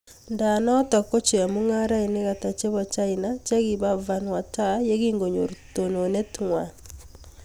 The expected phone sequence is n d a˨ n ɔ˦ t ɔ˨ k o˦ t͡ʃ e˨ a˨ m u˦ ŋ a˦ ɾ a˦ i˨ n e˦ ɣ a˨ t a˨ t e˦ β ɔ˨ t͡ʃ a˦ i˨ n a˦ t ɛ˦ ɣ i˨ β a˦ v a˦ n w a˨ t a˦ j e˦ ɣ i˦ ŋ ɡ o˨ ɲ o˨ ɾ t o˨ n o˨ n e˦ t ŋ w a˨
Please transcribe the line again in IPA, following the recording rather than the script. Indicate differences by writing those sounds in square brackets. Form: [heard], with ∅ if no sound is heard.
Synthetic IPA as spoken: n d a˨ n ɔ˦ t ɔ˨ k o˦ t͡ʃ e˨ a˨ m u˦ ŋ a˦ ɾ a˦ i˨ n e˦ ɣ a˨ t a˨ [t͡ʃ] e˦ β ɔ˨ t͡ʃ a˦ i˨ n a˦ [t͡ʃ] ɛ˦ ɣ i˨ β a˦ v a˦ n w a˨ t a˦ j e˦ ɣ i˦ ŋ ɡ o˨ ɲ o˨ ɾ t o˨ n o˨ n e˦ t ŋ w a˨